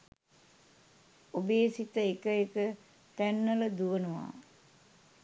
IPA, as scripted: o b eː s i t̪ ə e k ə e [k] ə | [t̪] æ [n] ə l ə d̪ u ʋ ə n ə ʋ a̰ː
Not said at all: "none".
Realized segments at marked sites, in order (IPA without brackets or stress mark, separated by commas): k, t̪, nː